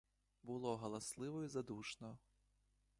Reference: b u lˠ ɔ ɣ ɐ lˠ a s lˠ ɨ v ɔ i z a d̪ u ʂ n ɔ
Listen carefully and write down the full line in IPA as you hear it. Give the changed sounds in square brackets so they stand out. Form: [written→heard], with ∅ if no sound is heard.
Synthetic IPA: b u lˠ ɔ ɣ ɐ lˠ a s lˠ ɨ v ɔ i z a d̪ u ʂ n ɔ